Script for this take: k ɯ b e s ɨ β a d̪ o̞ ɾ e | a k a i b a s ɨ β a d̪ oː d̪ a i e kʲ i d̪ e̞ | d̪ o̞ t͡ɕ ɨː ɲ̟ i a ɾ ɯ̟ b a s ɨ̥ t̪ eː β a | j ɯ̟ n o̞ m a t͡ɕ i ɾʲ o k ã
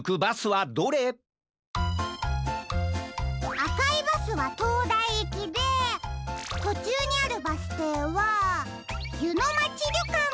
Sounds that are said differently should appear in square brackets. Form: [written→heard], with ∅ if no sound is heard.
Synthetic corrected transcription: k ɯ b [e→a] s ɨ β a d̪ o̞ ɾ e | a k a i b a s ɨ β a [d̪→t̪] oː d̪ a i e kʲ i d̪ e̞ | [d̪→t̪] o̞ t͡ɕ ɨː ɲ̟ i a ɾ ɯ̟ b a s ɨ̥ t̪ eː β a | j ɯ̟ n o̞ m a t͡ɕ i ɾʲ o k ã